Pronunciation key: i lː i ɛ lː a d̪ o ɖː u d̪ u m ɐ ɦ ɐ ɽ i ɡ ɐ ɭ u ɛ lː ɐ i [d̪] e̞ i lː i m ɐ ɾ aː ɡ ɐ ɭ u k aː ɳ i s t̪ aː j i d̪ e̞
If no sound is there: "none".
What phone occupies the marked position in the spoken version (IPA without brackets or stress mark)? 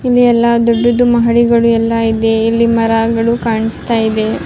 d̪